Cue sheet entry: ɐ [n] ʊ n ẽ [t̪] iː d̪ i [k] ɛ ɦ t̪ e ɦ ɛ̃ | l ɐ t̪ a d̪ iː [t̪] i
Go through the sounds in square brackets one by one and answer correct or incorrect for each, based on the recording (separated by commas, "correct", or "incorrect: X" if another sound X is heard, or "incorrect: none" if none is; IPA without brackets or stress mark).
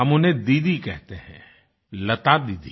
incorrect: m, incorrect: d̪, correct, incorrect: d̪